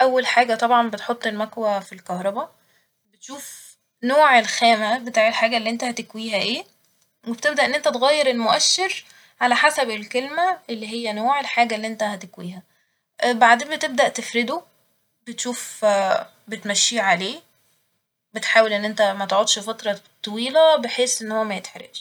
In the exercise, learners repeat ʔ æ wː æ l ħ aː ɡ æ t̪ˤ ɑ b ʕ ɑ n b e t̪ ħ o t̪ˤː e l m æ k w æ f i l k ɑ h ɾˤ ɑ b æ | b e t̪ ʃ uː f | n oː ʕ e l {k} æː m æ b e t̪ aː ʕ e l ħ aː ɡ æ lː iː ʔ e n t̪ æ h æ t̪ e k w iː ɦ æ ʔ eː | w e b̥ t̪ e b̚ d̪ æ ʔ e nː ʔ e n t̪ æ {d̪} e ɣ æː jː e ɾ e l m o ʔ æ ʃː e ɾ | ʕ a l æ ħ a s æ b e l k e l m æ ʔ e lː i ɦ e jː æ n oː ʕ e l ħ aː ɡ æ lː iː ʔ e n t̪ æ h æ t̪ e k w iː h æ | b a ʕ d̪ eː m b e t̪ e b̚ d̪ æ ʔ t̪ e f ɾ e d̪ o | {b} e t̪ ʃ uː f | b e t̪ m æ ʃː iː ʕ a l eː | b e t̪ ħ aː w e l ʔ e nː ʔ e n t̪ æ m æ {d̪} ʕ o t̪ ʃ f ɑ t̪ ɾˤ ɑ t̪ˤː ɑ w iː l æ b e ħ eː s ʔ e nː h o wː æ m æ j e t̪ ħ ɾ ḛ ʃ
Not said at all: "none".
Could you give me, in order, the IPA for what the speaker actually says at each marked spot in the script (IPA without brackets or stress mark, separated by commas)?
x, t̪, b, t̪